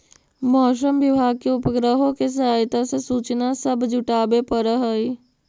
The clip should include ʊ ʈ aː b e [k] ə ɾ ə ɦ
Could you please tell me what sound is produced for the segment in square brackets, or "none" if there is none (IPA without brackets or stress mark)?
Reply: p